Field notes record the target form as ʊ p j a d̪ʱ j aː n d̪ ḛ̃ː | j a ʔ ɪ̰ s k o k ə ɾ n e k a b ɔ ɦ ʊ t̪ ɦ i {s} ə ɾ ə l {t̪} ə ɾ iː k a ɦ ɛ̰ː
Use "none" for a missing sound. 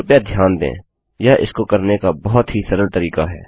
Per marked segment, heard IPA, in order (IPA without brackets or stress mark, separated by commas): s, t̪